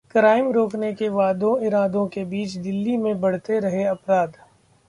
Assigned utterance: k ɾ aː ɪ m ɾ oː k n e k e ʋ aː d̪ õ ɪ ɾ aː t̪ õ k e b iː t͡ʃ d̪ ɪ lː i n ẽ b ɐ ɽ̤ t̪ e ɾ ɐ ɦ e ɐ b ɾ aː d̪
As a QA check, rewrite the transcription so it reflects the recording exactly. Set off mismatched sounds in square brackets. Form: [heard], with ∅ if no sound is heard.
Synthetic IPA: k ɾ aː ɪ m ɾ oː k n e k e ʋ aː d̪ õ ɪ ɾ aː [d̪] õ k e b iː t͡ʃ d̪ ɪ lː i [m] ẽ b ɐ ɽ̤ t̪ e ɾ ɐ ɦ e ɐ [p] ɾ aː d̪